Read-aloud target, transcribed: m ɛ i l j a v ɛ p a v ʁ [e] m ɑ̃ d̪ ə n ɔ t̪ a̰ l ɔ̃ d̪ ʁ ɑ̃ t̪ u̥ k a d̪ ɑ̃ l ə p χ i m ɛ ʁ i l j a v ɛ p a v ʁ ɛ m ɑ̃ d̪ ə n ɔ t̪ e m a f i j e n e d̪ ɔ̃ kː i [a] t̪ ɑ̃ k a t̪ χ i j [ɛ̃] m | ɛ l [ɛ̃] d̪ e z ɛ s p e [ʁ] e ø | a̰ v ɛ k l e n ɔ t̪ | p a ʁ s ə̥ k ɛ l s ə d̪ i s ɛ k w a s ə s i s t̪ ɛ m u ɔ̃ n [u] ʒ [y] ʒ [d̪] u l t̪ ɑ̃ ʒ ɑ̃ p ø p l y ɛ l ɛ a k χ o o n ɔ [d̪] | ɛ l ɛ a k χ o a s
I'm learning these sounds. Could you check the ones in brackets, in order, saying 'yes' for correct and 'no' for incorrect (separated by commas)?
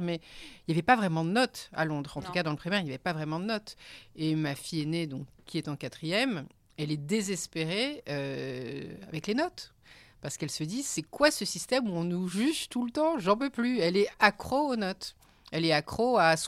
no, no, no, no, yes, yes, yes, no, no